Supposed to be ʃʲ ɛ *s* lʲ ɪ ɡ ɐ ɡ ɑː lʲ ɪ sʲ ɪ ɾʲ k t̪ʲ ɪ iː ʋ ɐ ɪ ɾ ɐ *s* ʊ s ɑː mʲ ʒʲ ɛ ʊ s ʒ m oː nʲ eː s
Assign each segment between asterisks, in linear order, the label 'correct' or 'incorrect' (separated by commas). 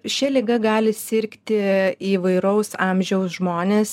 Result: incorrect, incorrect